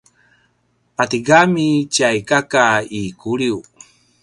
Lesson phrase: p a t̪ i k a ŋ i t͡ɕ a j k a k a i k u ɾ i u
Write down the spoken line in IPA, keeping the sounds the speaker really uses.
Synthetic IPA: p a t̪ i ɡ a m i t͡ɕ a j k a k a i k u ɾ i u